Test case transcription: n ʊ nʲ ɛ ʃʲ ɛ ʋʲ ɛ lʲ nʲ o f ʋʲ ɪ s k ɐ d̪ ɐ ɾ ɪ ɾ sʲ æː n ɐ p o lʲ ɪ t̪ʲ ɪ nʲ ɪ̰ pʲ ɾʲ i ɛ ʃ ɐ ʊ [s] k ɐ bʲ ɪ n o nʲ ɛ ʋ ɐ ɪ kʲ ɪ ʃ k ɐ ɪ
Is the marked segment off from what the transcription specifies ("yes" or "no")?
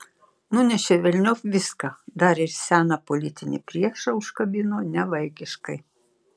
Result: yes